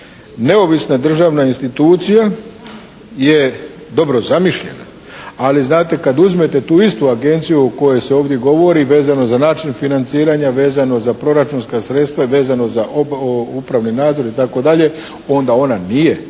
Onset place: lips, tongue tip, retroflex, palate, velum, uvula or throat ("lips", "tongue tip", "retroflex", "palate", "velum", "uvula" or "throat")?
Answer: tongue tip